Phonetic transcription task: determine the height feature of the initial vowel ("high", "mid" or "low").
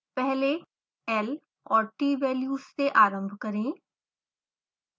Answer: mid